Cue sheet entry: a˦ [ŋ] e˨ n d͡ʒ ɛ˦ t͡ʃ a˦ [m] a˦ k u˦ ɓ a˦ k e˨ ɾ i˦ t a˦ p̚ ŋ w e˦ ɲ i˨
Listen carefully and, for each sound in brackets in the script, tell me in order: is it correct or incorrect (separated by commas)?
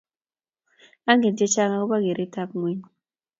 correct, incorrect